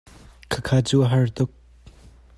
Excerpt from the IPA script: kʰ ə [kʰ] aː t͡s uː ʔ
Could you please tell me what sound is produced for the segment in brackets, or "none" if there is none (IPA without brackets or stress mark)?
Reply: kʰ